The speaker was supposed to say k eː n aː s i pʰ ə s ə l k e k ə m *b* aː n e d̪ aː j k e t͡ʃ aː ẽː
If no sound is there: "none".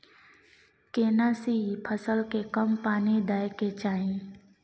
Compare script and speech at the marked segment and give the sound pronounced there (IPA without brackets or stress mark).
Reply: p